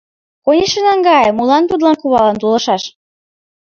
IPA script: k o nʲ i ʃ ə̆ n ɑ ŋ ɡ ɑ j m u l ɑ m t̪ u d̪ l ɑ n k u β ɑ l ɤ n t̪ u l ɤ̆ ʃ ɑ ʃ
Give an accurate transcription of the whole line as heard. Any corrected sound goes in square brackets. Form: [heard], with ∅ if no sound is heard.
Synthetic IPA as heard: k o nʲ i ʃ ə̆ n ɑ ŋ ɡ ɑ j m u l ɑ [n] t̪ u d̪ l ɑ n k u β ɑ l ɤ n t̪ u l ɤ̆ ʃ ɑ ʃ